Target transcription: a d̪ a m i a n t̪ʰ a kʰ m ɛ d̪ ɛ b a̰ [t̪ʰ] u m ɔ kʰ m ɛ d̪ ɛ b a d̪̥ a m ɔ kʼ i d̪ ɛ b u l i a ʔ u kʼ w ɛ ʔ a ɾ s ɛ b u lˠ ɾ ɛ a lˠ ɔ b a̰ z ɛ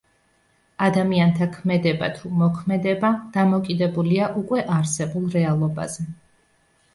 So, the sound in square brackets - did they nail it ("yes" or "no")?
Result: yes